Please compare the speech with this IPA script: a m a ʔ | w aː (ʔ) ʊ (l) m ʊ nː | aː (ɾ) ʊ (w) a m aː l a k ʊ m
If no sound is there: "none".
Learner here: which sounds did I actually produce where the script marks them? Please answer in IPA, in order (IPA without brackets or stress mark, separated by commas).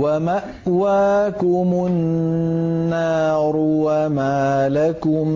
k, none, ɾ, w